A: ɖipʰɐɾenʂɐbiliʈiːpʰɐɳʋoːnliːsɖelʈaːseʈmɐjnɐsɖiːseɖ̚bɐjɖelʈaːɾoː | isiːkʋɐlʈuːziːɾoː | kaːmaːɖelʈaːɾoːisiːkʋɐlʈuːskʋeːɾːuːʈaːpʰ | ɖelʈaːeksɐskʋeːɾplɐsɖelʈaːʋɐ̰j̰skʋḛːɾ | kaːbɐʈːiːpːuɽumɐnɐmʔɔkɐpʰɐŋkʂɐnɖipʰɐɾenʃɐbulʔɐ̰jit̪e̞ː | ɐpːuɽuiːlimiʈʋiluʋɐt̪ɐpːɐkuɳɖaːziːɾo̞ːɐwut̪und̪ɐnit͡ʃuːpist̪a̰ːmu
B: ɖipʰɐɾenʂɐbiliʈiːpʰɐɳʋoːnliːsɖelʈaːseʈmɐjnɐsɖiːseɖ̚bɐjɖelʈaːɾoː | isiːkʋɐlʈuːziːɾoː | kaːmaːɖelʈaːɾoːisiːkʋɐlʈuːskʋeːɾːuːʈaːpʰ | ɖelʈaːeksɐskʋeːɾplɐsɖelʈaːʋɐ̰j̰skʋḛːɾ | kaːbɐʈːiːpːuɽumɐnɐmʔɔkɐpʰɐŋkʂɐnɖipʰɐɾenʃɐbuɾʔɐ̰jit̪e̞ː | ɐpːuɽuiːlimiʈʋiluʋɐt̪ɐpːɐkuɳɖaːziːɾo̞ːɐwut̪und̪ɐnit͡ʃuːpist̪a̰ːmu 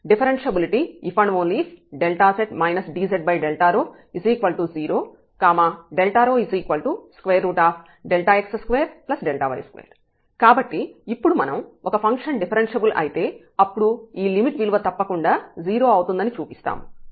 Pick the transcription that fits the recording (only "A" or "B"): A